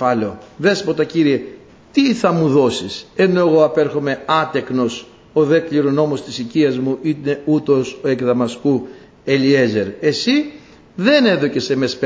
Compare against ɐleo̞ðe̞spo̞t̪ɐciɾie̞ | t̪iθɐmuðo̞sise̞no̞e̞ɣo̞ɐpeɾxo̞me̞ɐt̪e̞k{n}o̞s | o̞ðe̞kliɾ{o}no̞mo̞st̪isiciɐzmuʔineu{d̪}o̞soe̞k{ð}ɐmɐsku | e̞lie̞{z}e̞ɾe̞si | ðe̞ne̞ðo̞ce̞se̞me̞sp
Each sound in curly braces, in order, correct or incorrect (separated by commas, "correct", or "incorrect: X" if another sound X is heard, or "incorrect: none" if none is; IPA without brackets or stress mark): correct, correct, incorrect: t̪, correct, correct